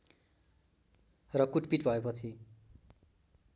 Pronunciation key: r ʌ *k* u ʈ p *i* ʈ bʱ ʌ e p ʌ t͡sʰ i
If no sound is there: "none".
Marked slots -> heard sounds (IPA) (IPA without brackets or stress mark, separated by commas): k, i